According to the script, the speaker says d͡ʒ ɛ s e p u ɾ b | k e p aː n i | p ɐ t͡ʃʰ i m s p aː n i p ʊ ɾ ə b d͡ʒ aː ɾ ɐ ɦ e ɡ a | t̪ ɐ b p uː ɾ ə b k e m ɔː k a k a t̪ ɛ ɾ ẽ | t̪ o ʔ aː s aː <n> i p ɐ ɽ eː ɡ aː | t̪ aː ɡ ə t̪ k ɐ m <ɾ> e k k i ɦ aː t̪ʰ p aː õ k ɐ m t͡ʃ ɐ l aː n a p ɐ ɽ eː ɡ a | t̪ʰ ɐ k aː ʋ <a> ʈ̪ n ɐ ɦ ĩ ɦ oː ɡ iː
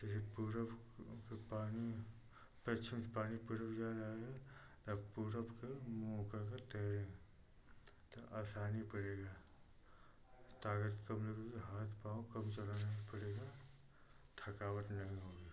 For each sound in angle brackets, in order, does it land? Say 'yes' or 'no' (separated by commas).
yes, no, no